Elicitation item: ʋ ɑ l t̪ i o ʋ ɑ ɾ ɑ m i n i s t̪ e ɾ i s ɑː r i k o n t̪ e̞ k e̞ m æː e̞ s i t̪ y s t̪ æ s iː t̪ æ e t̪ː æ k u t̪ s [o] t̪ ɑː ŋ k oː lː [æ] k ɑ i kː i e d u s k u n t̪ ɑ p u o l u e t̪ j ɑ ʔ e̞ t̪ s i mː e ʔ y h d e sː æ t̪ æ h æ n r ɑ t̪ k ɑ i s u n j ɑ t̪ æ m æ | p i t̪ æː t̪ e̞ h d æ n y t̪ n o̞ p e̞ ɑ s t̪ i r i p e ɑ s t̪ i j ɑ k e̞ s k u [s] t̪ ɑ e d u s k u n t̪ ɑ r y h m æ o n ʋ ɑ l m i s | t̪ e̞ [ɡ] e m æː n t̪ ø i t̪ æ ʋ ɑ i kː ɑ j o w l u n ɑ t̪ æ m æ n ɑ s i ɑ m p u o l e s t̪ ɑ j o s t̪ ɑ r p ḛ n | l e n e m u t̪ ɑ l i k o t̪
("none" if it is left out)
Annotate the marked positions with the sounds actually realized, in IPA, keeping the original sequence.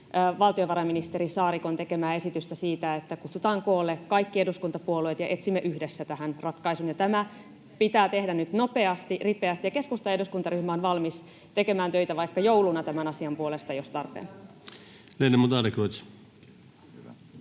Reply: u, e, s, k

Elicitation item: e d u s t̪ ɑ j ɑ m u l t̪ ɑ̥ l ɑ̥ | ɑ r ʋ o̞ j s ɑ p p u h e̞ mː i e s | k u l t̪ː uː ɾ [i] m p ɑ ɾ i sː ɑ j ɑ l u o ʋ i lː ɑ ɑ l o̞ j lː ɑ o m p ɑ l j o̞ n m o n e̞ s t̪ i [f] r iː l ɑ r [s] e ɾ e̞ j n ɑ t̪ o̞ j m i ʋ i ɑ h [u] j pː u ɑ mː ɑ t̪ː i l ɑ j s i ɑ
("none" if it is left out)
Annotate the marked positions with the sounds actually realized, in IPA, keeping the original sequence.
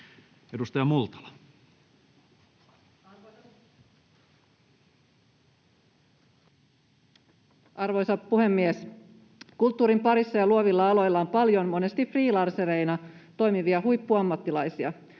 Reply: i, f, s, u

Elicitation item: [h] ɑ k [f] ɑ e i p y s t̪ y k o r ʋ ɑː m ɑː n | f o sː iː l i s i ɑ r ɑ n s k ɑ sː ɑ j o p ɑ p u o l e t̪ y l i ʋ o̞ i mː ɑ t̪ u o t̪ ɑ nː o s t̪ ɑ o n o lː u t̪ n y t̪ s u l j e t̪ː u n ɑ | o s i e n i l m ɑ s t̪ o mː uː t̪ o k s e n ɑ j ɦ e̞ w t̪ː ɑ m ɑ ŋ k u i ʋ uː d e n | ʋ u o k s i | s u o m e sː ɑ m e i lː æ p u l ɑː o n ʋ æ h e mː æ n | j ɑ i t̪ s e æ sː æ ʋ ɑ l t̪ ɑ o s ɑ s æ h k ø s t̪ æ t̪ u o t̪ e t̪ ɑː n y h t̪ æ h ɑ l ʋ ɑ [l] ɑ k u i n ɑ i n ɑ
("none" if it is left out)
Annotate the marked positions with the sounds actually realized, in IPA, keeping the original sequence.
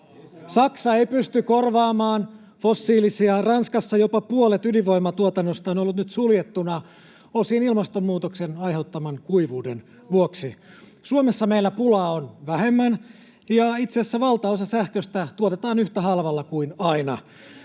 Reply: s, s, lː

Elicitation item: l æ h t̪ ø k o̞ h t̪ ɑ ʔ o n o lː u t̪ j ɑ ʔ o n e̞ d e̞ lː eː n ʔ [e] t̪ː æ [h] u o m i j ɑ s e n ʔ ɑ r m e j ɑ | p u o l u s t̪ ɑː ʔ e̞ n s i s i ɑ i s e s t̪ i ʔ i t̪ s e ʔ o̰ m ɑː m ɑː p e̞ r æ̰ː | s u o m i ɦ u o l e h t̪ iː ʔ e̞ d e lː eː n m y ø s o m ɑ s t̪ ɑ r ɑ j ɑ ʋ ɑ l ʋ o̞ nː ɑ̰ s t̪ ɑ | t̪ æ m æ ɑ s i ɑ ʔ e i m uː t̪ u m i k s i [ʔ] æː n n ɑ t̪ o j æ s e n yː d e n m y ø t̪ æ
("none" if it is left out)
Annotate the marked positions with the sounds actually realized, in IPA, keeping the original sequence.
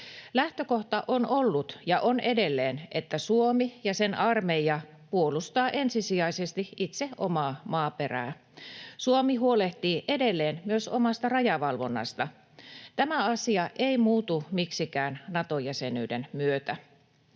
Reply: e, s, k

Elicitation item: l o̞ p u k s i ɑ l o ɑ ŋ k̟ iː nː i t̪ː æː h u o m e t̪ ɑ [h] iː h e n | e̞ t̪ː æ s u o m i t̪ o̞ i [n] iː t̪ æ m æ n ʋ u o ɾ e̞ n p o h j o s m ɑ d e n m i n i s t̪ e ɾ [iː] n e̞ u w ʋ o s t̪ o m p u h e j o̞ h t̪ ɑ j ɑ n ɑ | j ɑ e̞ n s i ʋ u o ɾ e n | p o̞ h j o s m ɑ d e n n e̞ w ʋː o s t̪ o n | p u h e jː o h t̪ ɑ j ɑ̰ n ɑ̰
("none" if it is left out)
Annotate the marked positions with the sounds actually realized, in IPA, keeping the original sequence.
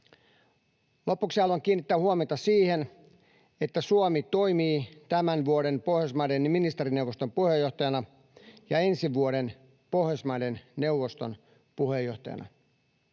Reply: s, m, i

